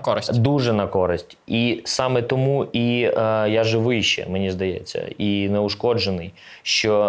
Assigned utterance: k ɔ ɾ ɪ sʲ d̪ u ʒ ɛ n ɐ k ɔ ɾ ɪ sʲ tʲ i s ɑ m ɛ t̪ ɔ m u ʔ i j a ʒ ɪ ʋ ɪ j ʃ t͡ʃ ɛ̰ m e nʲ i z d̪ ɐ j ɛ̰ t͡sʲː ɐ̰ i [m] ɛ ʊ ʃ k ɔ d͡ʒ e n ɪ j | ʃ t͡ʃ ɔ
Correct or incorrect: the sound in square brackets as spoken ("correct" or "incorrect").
incorrect